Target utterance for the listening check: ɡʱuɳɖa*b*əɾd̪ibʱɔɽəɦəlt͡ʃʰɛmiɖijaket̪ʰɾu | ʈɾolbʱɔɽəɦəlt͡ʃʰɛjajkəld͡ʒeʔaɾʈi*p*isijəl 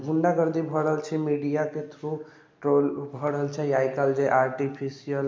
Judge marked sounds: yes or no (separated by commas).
no, no